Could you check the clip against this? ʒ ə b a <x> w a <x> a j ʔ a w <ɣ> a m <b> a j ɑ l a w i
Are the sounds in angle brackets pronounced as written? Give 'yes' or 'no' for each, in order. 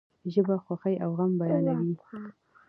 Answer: yes, yes, yes, yes

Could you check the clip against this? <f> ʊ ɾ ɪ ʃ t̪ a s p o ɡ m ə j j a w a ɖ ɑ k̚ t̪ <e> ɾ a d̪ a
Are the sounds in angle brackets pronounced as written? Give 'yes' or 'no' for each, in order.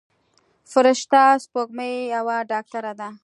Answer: yes, no

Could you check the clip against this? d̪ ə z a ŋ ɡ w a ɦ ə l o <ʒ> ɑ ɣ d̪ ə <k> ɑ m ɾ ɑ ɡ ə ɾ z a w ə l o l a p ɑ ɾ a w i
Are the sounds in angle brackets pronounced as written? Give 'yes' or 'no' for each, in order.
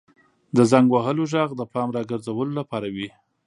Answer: yes, no

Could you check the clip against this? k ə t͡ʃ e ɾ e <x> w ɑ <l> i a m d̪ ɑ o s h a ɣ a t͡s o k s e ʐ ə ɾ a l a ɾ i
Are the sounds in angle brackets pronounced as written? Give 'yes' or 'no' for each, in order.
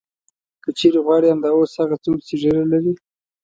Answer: no, no

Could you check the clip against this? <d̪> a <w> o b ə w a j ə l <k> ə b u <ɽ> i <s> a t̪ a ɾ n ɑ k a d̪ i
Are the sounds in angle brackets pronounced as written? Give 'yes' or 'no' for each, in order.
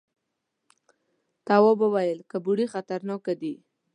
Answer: no, yes, yes, yes, no

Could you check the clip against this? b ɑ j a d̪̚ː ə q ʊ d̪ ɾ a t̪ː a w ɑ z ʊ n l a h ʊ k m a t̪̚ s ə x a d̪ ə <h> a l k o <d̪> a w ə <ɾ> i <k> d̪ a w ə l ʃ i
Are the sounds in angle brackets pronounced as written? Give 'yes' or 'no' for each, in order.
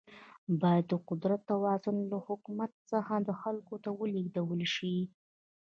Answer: no, no, no, no

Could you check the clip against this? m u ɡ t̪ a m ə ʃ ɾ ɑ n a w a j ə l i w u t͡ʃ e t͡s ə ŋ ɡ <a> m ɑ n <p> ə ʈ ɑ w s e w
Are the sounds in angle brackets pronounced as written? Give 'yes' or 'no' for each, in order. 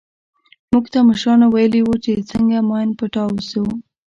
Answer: yes, yes

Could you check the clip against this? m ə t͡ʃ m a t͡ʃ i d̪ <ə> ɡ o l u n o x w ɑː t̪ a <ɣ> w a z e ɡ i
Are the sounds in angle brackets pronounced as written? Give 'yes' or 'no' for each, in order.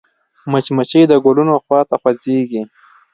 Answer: yes, no

